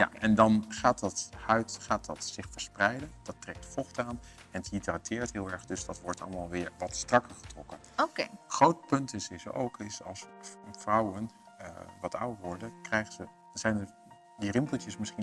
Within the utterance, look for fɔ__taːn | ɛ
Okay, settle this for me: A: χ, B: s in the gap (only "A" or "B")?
A